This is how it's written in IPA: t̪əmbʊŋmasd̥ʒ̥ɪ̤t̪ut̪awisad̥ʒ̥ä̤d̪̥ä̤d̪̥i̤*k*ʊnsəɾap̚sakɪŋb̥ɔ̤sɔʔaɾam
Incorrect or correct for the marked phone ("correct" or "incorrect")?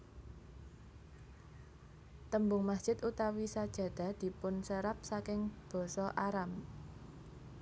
incorrect